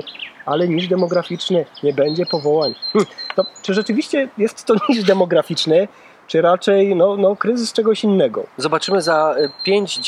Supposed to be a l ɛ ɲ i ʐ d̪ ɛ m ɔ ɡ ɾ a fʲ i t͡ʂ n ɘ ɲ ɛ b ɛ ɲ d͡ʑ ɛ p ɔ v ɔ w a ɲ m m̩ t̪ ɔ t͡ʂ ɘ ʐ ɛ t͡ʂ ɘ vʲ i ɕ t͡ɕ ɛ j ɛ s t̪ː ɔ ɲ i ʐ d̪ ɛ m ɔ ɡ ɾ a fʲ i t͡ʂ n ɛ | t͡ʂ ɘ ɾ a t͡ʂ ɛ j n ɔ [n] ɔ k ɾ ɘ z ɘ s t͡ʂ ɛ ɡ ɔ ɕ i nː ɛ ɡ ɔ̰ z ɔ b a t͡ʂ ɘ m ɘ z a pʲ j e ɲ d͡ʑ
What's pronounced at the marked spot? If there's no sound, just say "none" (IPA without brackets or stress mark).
n